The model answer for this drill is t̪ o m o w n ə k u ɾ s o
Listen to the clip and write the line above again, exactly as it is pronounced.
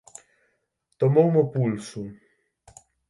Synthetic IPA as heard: t̪ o m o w m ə p u l s u